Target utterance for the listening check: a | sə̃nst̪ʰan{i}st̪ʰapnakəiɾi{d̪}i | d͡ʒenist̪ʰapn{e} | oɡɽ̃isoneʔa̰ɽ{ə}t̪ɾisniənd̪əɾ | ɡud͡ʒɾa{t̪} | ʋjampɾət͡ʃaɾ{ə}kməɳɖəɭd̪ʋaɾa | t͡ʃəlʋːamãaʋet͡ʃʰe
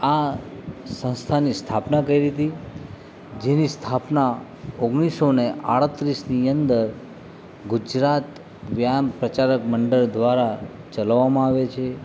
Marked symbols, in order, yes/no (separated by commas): yes, no, no, yes, yes, yes